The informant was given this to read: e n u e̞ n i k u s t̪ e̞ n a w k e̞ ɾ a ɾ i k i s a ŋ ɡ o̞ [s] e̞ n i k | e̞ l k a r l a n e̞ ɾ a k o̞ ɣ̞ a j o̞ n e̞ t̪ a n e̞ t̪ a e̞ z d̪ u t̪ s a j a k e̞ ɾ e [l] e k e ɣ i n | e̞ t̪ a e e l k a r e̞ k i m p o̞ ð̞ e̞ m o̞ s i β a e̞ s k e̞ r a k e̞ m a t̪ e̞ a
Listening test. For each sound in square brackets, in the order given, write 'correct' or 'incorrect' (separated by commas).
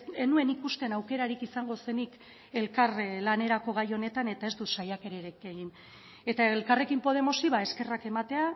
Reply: correct, incorrect